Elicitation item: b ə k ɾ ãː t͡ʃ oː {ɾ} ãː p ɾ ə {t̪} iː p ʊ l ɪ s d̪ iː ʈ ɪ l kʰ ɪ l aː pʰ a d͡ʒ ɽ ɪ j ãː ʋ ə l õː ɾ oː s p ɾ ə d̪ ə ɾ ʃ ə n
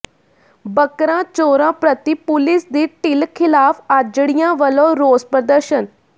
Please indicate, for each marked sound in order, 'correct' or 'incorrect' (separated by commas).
correct, correct